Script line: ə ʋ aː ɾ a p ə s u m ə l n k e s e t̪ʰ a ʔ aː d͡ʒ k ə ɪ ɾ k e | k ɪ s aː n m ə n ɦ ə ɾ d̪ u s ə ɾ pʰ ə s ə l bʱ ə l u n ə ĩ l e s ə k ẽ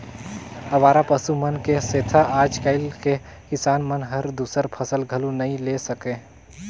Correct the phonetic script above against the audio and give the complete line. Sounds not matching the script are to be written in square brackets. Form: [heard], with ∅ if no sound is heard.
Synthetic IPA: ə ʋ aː ɾ a p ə s u m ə [∅] n k e s e t̪ʰ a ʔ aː d͡ʒ k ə ɪ [l] k e | k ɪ s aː n m ə n ɦ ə ɾ d̪ u s ə ɾ pʰ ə s ə l [ɡʱ] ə l u n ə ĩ l e s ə k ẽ